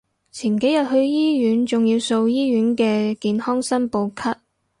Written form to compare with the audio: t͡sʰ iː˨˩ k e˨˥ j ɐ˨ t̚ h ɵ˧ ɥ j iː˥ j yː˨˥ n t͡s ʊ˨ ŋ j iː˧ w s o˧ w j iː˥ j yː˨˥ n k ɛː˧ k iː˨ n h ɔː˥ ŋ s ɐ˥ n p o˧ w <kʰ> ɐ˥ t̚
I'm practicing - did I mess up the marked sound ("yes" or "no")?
no